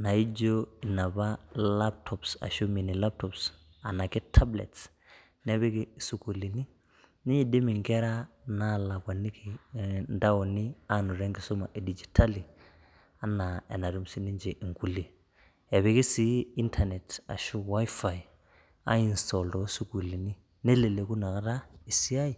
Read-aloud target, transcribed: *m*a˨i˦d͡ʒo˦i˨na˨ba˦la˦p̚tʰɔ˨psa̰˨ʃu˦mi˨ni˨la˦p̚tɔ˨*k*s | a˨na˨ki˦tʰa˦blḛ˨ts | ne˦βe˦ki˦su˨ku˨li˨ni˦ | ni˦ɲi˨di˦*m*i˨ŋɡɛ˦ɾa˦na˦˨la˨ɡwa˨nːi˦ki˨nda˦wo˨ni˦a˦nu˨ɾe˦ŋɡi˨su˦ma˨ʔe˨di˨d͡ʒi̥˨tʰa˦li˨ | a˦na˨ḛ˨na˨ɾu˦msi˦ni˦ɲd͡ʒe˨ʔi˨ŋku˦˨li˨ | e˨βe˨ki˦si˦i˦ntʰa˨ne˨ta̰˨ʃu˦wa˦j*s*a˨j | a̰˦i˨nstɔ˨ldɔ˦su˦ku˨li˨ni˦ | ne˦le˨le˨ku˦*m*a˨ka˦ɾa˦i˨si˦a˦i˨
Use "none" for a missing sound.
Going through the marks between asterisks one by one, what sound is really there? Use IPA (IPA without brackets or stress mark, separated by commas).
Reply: n, p, m, f, n